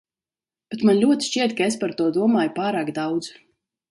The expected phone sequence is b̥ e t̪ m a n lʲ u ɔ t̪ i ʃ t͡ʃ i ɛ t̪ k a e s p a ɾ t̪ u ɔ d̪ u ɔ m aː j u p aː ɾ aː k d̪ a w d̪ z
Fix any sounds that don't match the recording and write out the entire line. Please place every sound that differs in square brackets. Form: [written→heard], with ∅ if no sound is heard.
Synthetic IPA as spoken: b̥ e t̪ m a n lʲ u ɔ t̪ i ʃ t͡ʃ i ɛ t̪ k a e s p a ɾ t̪ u ɔ d̪ u ɔ m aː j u p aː ɾ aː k d̪ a w d̪ z